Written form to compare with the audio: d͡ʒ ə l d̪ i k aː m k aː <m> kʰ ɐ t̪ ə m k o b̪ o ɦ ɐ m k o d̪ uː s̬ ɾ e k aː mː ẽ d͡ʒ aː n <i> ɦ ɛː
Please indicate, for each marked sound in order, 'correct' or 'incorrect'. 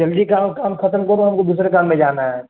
correct, incorrect: a

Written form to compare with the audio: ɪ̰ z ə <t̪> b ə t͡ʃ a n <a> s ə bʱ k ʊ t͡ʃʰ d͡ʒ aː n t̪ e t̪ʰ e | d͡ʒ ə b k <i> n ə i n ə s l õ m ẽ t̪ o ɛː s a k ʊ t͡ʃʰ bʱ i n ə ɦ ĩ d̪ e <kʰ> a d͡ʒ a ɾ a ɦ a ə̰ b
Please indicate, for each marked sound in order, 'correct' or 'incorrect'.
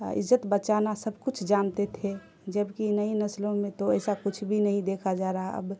correct, correct, correct, correct

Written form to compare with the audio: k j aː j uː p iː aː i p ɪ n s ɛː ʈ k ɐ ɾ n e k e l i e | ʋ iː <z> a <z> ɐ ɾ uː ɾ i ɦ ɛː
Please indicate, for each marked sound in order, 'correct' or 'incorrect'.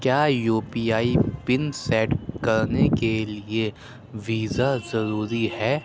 correct, correct

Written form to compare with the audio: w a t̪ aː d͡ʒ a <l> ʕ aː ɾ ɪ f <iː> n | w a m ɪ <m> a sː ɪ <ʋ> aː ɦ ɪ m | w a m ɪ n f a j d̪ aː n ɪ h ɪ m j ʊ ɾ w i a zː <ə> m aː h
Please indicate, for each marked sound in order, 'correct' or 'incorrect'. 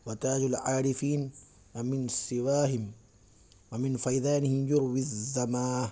correct, correct, incorrect: n, incorrect: w, incorrect: a

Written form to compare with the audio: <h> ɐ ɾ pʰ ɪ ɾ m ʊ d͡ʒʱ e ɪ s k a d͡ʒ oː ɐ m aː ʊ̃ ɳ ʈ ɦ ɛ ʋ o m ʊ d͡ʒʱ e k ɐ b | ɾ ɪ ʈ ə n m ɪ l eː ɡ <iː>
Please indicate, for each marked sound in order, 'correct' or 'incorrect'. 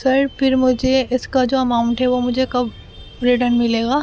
incorrect: s, incorrect: aː

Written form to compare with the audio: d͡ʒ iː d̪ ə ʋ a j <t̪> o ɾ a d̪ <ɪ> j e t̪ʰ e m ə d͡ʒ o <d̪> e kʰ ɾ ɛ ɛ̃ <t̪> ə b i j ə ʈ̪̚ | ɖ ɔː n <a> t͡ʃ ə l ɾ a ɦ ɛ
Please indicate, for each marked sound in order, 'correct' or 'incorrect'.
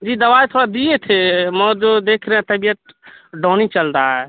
incorrect: t̪ʰ, incorrect: i, correct, correct, incorrect: i

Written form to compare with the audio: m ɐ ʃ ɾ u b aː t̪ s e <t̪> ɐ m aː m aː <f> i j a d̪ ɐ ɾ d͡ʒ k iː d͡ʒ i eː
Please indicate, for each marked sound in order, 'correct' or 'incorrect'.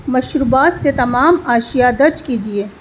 correct, incorrect: ʃ

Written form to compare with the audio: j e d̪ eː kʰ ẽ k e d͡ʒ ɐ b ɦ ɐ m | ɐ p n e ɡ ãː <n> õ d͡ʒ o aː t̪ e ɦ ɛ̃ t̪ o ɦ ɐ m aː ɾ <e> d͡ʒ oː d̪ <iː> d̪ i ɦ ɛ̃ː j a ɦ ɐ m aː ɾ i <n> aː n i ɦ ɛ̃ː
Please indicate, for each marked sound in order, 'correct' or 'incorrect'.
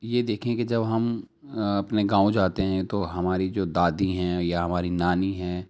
incorrect: none, incorrect: i, incorrect: aː, correct

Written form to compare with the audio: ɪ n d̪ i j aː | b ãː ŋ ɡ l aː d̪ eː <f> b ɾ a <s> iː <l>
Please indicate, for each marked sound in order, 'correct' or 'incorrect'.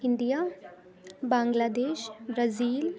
incorrect: ʃ, incorrect: z, correct

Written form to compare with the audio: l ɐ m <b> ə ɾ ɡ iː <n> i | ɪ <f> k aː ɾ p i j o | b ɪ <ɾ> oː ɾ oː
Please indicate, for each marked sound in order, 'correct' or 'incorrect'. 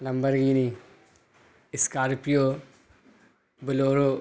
correct, correct, incorrect: s, incorrect: l

